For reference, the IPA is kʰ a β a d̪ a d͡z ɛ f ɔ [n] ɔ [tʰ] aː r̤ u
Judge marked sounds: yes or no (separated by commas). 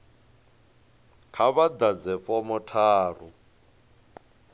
no, yes